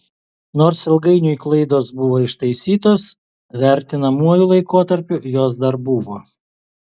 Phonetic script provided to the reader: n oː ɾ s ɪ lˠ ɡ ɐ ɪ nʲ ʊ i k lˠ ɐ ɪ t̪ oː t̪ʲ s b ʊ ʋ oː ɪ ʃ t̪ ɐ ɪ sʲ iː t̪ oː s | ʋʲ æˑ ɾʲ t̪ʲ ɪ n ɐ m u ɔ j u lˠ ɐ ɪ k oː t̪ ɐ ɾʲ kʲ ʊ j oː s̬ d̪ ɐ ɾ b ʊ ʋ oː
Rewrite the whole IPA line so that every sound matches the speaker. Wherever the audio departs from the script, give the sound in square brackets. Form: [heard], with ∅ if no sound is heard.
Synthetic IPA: n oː ɾ s ɪ lˠ ɡ ɐ ɪ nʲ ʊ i k lˠ ɐ ɪ [d̪] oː [∅] s b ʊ ʋ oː ɪ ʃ t̪ ɐ ɪ sʲ iː t̪ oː s | ʋʲ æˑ ɾʲ t̪ʲ ɪ n ɐ m u ɔ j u lˠ ɐ ɪ k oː t̪ ɐ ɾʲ [pʲ] ʊ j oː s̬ d̪ ɐ ɾ b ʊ ʋ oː